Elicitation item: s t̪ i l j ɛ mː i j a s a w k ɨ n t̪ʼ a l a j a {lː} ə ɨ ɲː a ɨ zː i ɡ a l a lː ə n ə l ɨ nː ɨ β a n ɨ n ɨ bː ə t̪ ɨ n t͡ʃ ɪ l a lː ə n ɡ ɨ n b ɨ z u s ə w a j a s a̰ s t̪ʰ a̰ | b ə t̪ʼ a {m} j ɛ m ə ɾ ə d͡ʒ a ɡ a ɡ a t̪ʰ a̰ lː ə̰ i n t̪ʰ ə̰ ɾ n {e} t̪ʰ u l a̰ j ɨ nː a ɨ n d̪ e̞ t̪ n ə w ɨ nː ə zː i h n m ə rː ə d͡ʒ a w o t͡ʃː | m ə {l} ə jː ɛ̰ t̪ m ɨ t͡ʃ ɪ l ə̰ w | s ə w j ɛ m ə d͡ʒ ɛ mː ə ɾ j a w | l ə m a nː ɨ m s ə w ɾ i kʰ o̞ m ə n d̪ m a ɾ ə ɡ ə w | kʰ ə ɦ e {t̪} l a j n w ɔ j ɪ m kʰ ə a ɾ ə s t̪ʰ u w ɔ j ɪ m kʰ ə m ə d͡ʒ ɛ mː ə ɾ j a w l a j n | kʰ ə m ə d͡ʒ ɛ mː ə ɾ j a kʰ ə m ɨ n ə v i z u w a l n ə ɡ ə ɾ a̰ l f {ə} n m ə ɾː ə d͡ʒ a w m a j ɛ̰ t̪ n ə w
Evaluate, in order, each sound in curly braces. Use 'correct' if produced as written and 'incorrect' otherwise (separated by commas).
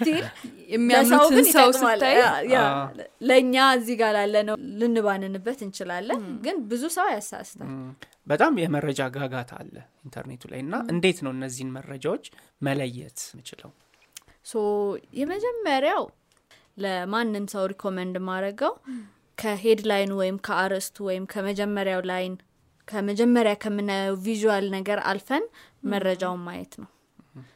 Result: incorrect, correct, correct, correct, incorrect, correct